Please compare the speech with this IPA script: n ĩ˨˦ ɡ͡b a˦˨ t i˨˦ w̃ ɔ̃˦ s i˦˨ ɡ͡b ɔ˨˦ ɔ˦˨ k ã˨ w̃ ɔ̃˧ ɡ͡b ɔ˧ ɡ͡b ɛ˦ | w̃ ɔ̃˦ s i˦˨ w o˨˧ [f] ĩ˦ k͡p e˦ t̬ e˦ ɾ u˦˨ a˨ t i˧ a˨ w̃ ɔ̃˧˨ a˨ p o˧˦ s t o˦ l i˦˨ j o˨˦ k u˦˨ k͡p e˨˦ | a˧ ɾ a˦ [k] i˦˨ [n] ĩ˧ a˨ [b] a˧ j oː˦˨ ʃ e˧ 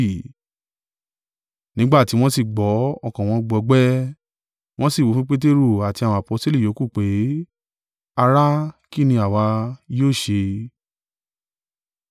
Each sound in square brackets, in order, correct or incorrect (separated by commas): correct, correct, correct, incorrect